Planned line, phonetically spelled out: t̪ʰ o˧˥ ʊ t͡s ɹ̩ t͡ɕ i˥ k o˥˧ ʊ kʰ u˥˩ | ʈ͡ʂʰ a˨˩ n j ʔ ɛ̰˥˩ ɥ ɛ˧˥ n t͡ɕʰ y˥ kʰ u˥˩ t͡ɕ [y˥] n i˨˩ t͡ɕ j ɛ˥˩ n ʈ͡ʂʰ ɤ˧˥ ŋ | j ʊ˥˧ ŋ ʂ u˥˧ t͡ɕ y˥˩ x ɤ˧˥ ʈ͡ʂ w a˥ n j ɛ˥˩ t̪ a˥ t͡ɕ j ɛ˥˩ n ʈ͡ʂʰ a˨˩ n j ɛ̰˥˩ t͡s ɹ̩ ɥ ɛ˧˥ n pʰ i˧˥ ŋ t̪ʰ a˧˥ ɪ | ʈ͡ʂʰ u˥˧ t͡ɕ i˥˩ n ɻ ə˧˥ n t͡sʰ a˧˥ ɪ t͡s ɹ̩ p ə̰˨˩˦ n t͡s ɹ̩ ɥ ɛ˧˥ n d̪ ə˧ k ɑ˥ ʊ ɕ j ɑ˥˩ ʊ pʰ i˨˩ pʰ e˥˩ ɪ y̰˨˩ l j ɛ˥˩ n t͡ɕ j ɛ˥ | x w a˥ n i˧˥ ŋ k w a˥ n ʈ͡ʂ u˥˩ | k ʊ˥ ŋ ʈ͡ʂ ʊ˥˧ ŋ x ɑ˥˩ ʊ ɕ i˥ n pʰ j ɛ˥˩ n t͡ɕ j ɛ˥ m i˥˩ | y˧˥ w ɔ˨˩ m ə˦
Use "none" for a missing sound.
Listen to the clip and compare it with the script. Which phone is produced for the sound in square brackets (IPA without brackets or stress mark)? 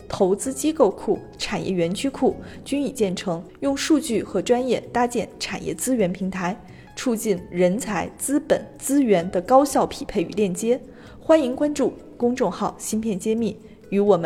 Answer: y˥